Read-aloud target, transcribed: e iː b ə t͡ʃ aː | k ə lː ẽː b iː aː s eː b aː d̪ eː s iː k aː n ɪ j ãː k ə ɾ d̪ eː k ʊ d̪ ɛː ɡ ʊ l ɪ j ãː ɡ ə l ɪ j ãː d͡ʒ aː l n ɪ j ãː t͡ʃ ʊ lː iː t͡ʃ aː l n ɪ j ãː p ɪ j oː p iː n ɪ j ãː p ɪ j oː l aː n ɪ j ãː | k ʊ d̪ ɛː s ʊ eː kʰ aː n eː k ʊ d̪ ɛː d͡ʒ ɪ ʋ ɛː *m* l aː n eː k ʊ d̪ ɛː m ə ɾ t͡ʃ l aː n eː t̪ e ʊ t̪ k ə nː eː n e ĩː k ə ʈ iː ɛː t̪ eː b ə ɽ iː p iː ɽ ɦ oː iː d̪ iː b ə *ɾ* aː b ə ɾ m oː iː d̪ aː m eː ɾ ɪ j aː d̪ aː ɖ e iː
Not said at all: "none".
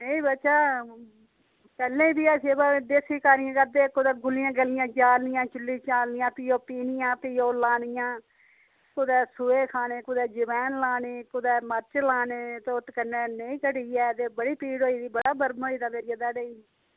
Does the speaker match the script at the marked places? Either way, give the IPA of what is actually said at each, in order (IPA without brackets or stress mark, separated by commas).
n, ɽ